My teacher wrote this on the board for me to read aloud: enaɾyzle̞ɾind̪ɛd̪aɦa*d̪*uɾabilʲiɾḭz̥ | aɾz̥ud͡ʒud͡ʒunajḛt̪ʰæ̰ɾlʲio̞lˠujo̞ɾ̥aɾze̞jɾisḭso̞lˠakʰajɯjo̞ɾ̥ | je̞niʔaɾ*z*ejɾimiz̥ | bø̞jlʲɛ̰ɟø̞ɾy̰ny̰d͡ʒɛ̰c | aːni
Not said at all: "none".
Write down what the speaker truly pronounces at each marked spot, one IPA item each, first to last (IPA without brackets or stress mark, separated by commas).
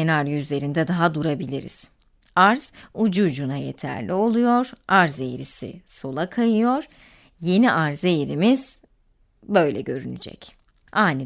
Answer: d̪, z